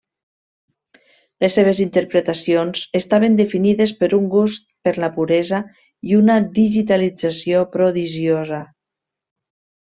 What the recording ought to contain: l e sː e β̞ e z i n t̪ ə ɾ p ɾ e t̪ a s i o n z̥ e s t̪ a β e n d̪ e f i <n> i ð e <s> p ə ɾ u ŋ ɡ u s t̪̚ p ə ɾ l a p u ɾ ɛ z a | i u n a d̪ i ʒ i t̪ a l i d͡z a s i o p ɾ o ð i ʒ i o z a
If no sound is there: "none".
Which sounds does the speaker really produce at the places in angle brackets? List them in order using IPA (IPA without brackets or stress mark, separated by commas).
n, s